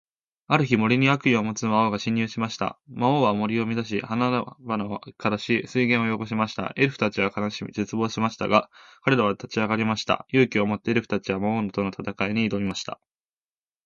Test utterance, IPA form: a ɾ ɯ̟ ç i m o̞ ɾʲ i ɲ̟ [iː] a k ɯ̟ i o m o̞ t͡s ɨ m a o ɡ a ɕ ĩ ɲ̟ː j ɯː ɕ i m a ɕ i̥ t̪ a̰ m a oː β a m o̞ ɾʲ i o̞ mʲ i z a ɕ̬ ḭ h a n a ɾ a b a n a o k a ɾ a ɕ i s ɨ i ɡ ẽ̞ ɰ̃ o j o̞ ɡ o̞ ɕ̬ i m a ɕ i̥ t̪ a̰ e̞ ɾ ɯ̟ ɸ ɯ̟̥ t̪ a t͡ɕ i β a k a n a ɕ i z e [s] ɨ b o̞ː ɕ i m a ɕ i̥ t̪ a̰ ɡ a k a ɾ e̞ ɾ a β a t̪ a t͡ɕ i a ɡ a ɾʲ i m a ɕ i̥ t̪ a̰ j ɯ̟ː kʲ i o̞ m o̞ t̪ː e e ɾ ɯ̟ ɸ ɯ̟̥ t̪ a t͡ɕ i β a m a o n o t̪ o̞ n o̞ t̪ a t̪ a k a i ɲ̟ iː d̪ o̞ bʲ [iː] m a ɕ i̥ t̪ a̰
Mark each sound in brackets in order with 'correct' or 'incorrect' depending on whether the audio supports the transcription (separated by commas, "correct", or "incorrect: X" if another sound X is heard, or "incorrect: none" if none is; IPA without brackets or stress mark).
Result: incorrect: i, incorrect: t͡s, incorrect: i